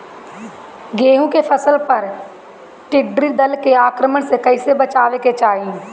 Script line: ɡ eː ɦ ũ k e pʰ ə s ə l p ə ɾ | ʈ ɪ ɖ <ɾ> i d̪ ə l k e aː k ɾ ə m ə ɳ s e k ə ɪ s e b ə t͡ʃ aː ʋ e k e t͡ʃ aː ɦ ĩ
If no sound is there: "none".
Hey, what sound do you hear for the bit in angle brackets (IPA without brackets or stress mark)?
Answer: ɾ